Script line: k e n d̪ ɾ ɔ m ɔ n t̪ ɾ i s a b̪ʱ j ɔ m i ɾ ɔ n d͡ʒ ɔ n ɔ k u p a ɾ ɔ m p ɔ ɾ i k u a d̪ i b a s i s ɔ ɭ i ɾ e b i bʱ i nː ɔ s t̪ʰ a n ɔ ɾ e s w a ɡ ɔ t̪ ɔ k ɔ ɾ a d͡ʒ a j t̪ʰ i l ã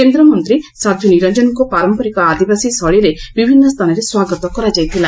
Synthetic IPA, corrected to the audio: k e n d̪ ɾ ɔ m ɔ n t̪ ɾ i s a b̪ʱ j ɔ n i ɾ ɔ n d͡ʒ ɔ n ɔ k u p a ɾ ɔ m p ɔ ɾ i k ɔ a d̪ i b a s i s ɔ ɭ i ɾ e b i bʱ i nː ɔ s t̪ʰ a n ɔ ɾ e s w a ɡ ɔ t̪ ɔ k ɔ ɾ a d͡ʒ a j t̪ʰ i l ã